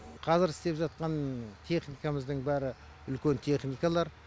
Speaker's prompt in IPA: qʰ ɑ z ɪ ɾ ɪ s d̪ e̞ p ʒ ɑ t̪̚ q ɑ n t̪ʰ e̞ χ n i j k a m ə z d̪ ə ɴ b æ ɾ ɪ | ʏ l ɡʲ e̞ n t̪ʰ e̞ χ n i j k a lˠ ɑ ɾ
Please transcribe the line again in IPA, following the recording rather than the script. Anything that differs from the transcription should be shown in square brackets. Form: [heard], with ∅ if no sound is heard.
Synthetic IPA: qʰ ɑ z ɪ ɾ ɪ s [t̪] e̞ p ʒ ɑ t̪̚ q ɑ n t̪ʰ e̞ χ n i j k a m ə z d̪ ə ɴ b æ ɾ ɪ | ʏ l [kʲ] e̞ n t̪ʰ e̞ χ n i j k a lˠ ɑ ɾ